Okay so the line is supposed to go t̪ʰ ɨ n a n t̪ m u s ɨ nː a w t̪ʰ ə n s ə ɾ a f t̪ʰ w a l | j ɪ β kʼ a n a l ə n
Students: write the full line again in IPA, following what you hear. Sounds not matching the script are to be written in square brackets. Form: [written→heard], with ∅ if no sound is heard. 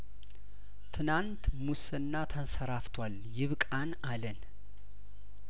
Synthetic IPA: t̪ʰ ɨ n a n t̪ m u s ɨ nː a [w→∅] t̪ʰ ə n s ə ɾ a f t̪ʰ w a l | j ɪ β kʼ a n a l ə n